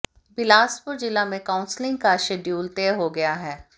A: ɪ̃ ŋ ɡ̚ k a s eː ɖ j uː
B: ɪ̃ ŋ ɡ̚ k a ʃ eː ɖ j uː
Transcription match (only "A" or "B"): B